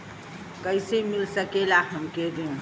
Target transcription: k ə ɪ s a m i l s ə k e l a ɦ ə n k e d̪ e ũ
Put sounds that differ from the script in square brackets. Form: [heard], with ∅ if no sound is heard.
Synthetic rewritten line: k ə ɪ s [e] m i l s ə k e l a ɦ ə [m] k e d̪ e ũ

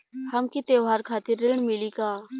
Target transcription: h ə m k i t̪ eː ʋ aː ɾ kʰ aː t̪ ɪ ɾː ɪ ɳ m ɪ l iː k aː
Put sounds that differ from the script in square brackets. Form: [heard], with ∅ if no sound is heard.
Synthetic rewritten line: h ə m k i t̪ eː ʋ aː ɾ kʰ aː t̪ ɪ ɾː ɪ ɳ m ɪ l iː k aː

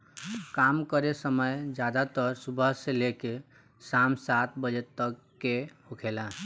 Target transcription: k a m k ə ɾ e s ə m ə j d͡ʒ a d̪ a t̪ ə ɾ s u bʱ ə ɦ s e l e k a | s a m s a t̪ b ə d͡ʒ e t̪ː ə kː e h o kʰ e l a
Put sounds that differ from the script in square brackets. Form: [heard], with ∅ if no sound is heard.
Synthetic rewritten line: k a m k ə ɾ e s ə m ə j d͡ʒ a d̪ a t̪ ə ɾ s u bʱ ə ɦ s e l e k [e] | s a m s a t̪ b ə d͡ʒ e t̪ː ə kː e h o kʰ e l a

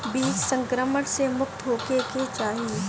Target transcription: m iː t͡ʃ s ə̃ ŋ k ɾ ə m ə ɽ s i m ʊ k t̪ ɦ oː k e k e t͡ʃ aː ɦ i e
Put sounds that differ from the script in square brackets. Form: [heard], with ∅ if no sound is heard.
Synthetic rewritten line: [b] iː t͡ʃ s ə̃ ŋ k ɾ ə m ə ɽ s [e] m ʊ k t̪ ɦ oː k e k e t͡ʃ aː ɦ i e

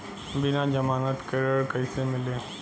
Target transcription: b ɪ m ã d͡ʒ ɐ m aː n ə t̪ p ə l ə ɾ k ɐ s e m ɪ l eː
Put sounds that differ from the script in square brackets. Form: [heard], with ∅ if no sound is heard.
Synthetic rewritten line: b ɪ [n] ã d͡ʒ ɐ m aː n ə t̪ [k] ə [ɾ] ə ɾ k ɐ s e m ɪ l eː

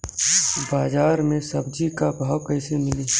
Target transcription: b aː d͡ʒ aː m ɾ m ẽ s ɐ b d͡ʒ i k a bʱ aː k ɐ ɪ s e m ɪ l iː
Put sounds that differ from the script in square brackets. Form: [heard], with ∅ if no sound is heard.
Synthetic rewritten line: b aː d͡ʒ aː [∅] ɾ m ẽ s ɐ b d͡ʒ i k a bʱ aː k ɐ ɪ s e m ɪ l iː

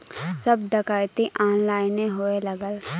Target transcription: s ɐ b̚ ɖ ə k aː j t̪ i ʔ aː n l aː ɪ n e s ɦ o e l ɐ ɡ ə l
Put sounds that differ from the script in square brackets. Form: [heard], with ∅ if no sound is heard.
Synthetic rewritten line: s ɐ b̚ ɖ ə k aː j t̪ i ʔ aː n l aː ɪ n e [∅] ɦ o e l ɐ ɡ ə l

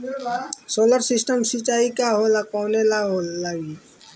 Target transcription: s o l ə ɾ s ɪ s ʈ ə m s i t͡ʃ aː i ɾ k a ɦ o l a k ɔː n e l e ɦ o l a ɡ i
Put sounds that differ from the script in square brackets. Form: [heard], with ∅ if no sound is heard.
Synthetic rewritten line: s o l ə ɾ s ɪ s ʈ ə m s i t͡ʃ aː i [∅] k a ɦ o l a k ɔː n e l [a] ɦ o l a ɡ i

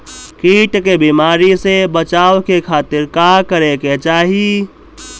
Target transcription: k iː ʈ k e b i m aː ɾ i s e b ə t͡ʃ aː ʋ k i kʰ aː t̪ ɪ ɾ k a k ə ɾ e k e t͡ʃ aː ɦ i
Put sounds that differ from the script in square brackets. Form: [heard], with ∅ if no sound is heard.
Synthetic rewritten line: k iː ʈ k e b i m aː ɾ i s e b ə t͡ʃ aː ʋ k [e] kʰ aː t̪ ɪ ɾ k a k ə ɾ e k e t͡ʃ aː ɦ i

